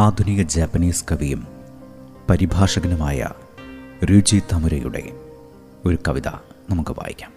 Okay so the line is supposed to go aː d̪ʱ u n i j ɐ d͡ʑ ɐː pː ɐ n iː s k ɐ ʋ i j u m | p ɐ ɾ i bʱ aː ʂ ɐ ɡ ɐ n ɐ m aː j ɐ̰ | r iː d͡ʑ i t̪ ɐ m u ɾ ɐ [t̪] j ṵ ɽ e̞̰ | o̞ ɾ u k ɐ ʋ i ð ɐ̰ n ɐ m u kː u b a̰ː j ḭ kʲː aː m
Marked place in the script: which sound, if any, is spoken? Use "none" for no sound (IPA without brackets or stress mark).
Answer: none